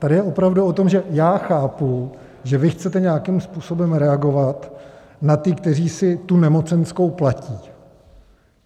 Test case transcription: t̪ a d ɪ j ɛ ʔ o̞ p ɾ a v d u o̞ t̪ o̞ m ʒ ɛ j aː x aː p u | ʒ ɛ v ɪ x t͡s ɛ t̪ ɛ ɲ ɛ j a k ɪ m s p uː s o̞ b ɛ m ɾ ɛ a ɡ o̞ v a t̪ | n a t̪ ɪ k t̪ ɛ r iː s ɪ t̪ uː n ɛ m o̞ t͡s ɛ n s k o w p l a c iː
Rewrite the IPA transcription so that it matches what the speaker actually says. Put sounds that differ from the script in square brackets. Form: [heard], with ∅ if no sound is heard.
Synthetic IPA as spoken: t̪ a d ɪ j ɛ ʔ o̞ p ɾ a v d u o̞ t̪ o̞ m ʒ ɛ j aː x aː p u | ʒ ɛ v ɪ x t͡s ɛ t̪ ɛ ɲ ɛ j a k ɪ m s p uː s o̞ b ɛ m ɾ ɛ a ɡ o̞ v a t̪ | n a t̪ ɪ k t̪ ɛ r iː s ɪ t̪ [u] n ɛ m o̞ t͡s ɛ n s k o w p l a c iː